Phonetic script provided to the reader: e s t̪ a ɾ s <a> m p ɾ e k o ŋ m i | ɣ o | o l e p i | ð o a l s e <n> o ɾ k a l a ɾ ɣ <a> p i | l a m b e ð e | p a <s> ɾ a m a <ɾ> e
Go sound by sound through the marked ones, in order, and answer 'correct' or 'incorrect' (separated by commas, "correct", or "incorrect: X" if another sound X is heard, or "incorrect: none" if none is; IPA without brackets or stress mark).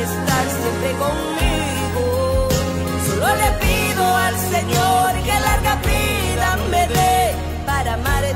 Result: incorrect: e, incorrect: ɲ, correct, incorrect: none, correct